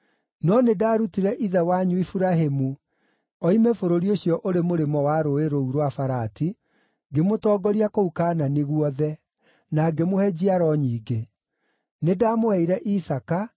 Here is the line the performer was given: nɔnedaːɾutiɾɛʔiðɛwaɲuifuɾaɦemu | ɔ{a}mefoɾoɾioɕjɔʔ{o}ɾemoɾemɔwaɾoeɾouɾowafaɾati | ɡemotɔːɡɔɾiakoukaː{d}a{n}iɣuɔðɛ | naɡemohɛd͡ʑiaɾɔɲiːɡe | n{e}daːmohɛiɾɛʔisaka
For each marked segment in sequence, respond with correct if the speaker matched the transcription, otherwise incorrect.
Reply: incorrect, correct, incorrect, correct, correct

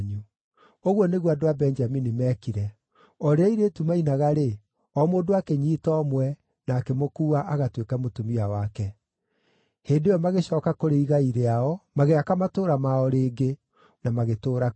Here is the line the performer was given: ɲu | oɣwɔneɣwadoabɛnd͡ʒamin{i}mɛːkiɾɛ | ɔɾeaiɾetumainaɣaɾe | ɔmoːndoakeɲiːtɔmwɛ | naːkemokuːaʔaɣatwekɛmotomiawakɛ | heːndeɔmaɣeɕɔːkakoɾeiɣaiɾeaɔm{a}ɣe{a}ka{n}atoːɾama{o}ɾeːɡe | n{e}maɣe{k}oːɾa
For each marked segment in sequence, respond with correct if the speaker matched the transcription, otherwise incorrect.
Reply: correct, correct, correct, incorrect, incorrect, incorrect, incorrect

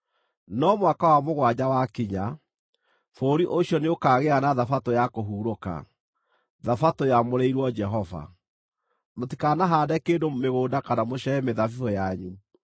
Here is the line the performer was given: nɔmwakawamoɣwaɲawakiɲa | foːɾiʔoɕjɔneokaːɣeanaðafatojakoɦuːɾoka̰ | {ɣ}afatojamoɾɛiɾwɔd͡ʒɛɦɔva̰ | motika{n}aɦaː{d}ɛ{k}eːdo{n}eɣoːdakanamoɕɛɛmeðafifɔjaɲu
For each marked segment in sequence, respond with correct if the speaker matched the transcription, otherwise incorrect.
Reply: incorrect, correct, correct, correct, incorrect

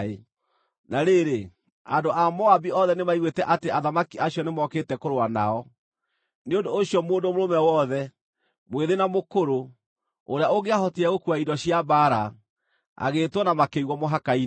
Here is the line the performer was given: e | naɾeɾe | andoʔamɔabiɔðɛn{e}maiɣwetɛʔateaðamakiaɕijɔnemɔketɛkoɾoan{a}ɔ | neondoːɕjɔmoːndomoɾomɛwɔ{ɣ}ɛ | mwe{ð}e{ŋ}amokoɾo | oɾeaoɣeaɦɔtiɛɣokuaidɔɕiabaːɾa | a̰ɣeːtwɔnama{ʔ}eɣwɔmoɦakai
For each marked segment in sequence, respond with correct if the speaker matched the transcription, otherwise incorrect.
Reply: correct, correct, incorrect, correct, incorrect, incorrect

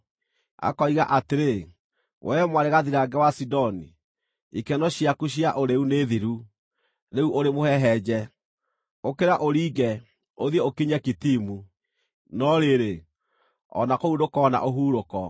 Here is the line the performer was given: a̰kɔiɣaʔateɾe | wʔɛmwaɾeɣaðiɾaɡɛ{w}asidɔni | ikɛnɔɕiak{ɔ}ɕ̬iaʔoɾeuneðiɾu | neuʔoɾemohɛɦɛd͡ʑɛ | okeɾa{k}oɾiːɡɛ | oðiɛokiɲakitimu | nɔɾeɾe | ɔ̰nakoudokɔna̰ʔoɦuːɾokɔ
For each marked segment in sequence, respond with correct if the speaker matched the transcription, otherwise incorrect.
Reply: correct, incorrect, incorrect

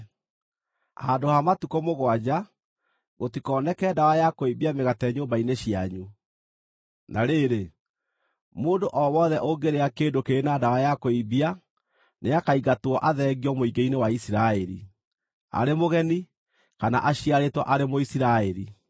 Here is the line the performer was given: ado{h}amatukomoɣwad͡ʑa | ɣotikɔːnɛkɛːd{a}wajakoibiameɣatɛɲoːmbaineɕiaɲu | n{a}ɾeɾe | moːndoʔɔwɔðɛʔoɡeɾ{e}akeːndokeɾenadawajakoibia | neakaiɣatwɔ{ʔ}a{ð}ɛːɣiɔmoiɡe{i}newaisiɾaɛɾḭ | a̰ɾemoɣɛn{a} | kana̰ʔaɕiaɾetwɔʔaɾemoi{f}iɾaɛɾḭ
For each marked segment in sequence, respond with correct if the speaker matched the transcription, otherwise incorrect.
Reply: correct, correct, correct, correct, correct, correct, correct, incorrect, incorrect

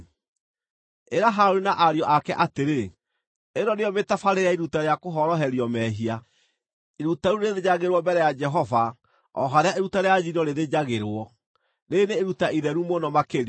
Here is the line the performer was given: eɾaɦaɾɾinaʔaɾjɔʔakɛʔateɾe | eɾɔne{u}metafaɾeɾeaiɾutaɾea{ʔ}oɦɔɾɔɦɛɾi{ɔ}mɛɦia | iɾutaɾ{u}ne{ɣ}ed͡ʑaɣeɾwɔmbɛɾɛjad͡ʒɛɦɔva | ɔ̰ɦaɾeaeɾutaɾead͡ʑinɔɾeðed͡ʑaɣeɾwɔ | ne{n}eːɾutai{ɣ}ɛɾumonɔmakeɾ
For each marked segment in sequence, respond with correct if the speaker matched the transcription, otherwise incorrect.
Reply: incorrect, incorrect, correct, correct, incorrect, correct, incorrect

